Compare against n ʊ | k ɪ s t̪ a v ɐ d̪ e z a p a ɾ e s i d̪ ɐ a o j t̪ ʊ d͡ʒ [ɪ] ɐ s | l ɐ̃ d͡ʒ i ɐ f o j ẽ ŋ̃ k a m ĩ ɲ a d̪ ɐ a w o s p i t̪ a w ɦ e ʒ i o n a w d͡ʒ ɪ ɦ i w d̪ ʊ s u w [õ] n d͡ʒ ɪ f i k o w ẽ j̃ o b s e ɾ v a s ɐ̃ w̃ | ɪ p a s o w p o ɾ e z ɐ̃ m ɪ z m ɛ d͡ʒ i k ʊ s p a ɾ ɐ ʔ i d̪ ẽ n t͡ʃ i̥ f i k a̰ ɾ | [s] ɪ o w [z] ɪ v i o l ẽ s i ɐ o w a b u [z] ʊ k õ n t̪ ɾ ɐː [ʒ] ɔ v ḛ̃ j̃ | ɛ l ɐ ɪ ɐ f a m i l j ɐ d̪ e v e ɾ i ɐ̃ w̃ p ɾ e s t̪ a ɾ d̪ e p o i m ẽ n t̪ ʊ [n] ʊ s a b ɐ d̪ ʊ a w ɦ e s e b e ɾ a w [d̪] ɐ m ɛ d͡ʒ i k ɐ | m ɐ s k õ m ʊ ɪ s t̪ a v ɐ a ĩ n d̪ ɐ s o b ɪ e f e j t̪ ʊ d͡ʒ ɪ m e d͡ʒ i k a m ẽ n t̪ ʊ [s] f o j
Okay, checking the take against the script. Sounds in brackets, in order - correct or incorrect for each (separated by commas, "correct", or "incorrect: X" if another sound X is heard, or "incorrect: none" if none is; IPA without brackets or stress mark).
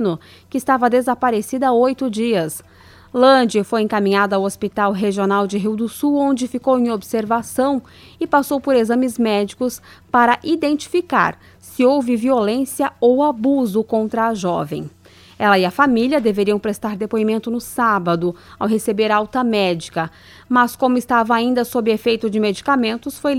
incorrect: i, correct, correct, incorrect: v, correct, correct, correct, incorrect: t̪, correct